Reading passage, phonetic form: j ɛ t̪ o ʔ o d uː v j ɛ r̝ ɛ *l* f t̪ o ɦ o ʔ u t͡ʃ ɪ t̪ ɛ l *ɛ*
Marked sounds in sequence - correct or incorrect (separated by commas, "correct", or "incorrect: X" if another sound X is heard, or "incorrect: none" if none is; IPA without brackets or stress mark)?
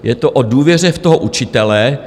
incorrect: none, correct